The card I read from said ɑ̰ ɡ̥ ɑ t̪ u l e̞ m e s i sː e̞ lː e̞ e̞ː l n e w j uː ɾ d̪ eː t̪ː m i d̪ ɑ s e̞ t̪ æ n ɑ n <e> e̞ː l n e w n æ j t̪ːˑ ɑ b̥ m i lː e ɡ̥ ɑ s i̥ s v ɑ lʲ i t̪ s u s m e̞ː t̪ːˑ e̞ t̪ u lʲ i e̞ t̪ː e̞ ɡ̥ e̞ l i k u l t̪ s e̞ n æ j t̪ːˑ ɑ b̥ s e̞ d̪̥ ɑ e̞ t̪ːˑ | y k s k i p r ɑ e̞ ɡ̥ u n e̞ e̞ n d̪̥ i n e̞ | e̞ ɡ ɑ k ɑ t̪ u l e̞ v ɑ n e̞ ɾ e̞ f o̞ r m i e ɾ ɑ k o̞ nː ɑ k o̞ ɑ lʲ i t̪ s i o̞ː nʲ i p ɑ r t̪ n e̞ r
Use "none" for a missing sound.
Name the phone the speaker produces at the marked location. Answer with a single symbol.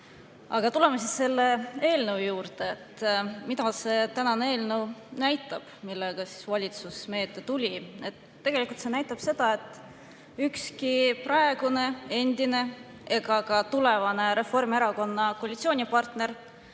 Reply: e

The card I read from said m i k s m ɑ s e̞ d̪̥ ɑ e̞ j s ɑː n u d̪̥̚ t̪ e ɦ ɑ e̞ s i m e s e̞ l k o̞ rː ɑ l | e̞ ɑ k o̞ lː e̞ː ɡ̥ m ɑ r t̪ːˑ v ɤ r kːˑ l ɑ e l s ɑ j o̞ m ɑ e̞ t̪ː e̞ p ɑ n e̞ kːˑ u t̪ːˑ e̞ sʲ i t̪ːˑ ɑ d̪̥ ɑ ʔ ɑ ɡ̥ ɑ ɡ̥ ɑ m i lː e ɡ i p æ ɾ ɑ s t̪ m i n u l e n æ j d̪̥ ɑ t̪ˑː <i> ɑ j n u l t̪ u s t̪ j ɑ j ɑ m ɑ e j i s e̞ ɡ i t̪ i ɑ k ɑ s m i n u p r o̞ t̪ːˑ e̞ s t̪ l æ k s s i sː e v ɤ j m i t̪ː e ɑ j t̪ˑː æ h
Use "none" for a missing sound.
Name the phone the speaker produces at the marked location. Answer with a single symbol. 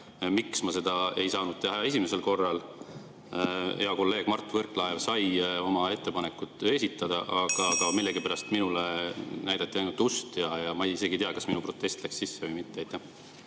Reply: i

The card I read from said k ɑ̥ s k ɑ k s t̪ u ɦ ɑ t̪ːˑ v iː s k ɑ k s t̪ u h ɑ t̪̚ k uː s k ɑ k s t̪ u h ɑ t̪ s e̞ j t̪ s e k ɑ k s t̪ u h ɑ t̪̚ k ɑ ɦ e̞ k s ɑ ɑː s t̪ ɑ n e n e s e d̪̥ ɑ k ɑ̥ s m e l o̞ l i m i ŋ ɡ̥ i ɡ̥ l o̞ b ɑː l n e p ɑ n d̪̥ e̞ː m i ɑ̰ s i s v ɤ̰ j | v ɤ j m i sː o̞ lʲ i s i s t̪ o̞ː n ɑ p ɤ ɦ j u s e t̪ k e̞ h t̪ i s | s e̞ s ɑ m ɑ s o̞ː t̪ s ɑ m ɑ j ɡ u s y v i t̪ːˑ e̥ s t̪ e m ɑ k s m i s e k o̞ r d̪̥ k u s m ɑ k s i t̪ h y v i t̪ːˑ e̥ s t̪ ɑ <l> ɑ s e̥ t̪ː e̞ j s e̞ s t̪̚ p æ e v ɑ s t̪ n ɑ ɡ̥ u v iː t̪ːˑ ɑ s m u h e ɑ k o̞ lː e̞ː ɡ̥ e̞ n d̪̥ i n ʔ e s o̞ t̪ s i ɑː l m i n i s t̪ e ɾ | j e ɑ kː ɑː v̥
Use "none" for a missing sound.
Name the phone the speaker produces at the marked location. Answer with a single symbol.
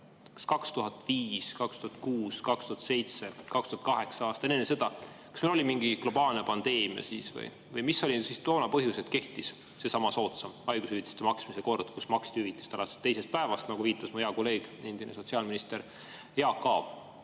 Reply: l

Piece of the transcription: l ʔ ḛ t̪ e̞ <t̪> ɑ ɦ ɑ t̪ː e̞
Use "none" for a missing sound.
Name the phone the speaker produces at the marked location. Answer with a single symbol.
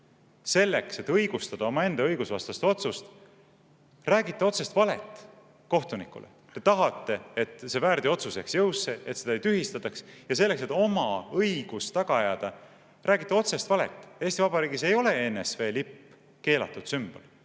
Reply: t̪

